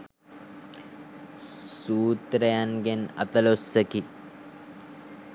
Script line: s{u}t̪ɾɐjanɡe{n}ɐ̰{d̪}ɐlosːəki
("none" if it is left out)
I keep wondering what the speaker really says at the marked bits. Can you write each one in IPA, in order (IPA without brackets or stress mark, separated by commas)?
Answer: uː, n, t̪